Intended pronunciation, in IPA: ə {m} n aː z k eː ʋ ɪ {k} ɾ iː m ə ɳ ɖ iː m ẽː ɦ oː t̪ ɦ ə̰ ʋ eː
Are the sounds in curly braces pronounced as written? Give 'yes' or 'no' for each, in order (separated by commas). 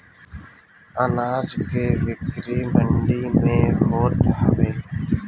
no, yes